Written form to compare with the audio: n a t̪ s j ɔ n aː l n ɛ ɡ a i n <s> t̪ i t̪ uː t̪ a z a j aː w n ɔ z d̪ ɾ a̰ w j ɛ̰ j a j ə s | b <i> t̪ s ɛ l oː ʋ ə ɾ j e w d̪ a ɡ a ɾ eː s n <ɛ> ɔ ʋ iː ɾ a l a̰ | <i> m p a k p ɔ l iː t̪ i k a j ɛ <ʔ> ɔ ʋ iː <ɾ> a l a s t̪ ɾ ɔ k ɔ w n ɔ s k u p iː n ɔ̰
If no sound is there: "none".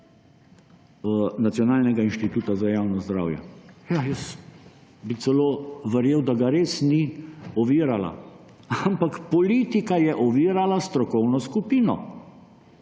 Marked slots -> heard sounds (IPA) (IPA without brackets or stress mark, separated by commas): ʃ, i, i, a, ʔ, ɾ